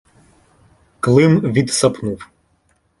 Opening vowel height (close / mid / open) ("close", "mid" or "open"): close